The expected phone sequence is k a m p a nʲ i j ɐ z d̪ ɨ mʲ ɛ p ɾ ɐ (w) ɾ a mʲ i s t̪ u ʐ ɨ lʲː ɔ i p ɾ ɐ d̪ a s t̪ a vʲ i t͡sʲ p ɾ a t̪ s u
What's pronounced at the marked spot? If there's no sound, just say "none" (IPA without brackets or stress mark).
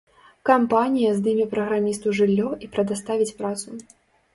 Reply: ɣ